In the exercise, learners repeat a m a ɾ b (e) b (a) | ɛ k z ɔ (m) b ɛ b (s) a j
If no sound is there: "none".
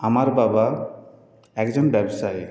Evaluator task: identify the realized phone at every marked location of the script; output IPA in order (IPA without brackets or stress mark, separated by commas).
a, a, n, s